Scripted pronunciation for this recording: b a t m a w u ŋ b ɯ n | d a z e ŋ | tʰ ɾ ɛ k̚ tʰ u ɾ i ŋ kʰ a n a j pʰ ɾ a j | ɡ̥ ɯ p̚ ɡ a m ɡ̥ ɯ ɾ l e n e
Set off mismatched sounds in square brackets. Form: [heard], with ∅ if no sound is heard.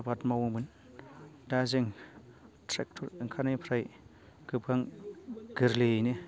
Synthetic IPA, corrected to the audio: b a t m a w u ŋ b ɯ n | d a z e ŋ | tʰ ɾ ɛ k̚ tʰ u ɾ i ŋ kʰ a n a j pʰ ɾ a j | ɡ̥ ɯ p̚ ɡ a [ŋ] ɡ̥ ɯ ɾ l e n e